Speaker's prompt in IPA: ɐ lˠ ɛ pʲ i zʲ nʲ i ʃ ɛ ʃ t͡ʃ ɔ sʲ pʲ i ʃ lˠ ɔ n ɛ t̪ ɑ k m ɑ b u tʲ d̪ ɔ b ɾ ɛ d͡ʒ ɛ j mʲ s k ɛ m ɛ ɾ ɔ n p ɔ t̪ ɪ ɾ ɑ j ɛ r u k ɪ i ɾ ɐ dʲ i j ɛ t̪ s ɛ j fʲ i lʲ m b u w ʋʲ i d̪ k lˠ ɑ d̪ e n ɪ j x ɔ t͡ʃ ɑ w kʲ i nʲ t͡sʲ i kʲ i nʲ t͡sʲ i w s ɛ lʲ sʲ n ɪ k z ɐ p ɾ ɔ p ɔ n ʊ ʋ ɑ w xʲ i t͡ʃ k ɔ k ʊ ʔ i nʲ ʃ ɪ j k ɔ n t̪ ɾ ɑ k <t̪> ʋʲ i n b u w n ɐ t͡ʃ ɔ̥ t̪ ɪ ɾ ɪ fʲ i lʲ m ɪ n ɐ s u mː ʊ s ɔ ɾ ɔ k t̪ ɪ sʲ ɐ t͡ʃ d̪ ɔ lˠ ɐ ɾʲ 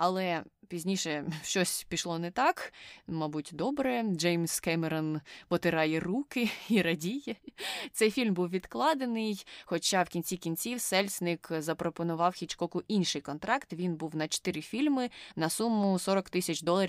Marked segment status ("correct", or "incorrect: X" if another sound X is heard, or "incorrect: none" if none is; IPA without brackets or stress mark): correct